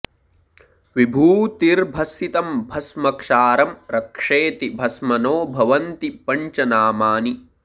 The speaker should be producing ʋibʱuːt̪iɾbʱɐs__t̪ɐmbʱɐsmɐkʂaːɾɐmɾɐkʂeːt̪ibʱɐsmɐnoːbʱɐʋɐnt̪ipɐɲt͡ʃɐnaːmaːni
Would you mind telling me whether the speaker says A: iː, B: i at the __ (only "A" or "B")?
B